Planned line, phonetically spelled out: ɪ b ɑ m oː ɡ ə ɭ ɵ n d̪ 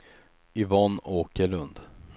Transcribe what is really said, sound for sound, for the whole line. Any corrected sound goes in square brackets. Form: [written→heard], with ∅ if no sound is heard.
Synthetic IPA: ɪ [b→v] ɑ [m→n] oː [ɡ→k] ə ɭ ɵ n d̪